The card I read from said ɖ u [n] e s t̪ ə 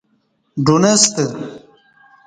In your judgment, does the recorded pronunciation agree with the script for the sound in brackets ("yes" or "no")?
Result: yes